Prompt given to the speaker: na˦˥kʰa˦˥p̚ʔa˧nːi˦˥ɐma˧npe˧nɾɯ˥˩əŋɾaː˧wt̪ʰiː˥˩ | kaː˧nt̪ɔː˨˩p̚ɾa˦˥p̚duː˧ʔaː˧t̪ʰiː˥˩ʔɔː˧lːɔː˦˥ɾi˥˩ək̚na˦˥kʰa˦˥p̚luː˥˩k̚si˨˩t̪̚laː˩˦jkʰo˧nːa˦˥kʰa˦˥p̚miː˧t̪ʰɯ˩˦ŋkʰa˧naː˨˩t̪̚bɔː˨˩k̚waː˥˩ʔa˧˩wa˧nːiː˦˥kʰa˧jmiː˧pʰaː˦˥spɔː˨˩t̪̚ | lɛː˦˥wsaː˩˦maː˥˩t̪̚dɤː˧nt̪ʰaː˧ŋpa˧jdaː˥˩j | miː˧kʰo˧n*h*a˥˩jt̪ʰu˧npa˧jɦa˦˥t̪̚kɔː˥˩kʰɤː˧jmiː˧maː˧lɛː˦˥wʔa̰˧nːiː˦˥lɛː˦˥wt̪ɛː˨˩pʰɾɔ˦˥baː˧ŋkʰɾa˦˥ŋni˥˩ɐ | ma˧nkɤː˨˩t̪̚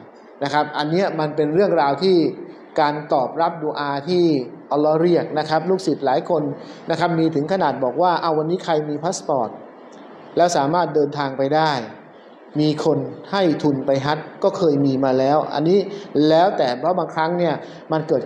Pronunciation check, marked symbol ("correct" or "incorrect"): correct